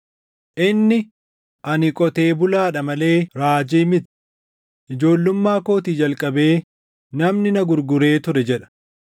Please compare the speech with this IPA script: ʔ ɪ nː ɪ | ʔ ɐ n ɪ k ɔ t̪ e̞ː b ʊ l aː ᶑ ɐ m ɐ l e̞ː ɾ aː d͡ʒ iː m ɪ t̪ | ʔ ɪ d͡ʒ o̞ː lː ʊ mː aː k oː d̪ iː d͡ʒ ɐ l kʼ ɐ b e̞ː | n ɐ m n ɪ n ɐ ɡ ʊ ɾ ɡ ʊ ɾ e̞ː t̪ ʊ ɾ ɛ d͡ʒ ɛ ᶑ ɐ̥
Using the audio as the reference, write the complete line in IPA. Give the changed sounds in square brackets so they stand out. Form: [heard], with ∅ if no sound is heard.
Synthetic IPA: ʔ ɪ nː ɪ | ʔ ɐ n ɪ [kʼ] ɔ t̪ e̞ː b ʊ l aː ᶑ ɐ m ɐ l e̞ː ɾ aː d͡ʒ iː m ɪ t̪ | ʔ ɪ d͡ʒ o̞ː lː ʊ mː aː k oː [t̪] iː d͡ʒ ɐ l kʼ ɐ b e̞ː | n ɐ m n ɪ n ɐ ɡ ʊ ɾ ɡ ʊ ɾ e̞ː t̪ ʊ ɾ ɛ d͡ʒ ɛ ᶑ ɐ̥